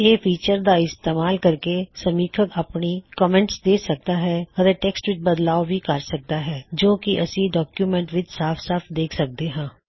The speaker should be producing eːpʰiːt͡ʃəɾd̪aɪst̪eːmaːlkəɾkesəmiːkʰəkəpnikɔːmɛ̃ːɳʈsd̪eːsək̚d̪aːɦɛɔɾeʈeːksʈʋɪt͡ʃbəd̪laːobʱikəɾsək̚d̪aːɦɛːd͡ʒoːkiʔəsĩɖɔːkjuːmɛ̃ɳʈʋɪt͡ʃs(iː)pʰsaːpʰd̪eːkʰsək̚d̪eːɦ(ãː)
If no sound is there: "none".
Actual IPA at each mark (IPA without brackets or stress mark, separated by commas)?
aː, ãː